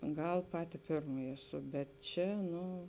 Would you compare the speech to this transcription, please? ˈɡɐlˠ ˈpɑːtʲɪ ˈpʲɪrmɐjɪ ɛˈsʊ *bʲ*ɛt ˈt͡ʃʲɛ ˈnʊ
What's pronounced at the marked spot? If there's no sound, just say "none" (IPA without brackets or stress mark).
bʲ